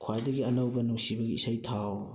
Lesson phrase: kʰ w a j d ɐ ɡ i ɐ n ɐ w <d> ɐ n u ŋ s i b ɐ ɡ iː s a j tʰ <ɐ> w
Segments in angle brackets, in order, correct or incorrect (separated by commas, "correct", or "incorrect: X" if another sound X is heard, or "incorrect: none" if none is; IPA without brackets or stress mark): incorrect: b, incorrect: a